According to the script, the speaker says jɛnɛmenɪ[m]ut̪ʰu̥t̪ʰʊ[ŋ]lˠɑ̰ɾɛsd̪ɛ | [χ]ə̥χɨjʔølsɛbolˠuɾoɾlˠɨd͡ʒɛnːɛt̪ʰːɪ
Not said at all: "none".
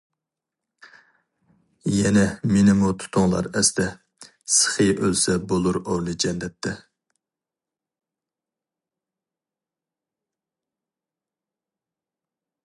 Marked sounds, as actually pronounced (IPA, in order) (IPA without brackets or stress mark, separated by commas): m, ŋ, s